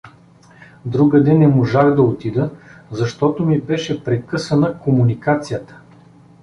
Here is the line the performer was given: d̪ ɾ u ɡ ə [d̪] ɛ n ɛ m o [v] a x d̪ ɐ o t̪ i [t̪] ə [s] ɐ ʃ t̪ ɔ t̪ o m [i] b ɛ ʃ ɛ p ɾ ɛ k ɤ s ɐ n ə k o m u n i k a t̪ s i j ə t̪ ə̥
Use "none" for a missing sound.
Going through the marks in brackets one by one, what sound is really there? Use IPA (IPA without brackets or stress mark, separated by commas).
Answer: d̪, ʒ, d̪, z, i